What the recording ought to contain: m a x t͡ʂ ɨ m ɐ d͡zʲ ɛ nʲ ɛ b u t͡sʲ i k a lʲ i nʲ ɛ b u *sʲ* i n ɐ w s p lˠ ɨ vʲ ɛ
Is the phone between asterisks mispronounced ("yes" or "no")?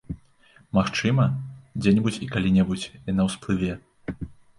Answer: yes